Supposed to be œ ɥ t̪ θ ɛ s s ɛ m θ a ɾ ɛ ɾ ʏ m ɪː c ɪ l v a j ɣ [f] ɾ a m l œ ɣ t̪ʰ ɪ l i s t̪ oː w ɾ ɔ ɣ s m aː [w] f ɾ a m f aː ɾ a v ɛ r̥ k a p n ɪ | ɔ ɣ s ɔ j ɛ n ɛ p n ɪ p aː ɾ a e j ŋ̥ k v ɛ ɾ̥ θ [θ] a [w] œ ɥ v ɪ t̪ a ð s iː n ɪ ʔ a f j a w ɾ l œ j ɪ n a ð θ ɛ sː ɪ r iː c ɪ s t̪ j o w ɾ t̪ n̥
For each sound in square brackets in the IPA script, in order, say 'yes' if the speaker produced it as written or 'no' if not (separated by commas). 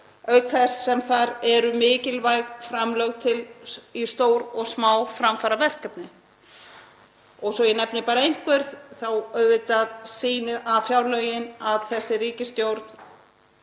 yes, yes, yes, yes